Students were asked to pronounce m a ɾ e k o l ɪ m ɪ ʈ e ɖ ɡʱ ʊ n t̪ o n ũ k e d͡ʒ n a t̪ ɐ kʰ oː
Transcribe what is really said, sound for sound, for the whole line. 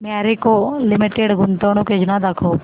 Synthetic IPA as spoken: m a ɾ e k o l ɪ m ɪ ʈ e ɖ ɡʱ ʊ n t̪ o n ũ k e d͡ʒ n a d̪ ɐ kʰ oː